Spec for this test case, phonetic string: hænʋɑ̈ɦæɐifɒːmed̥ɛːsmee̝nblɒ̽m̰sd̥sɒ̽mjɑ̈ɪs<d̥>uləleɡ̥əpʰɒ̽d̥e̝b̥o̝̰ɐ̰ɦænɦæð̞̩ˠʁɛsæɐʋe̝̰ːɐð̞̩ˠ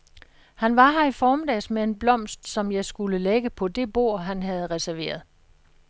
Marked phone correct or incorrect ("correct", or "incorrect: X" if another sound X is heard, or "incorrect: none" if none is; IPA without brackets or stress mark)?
incorrect: ɡ̥